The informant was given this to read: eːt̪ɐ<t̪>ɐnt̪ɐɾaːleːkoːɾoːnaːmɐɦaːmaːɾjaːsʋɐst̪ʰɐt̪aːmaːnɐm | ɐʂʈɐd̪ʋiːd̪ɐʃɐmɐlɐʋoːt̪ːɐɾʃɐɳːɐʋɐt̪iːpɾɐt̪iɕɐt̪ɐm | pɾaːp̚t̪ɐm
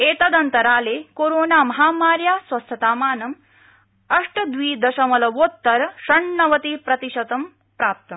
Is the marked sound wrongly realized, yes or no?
yes